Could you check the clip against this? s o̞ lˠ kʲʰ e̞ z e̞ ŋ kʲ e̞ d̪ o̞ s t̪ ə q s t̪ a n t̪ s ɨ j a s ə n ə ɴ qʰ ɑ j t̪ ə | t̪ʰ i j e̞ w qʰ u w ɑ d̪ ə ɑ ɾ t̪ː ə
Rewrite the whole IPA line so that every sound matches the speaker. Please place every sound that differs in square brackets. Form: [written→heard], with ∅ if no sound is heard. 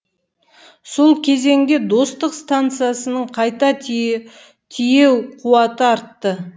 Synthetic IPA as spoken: s o̞ lˠ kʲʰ e̞ z e̞ ŋ [kʲ→ɡʲ] e̞ d̪ o̞ s t̪ ə q s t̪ a n t̪ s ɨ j a s ə n ə ɴ qʰ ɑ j t̪ [ə→ɑ] | t̪ʰ i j e̞ w qʰ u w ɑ [d̪→t̪] ə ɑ ɾ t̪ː ə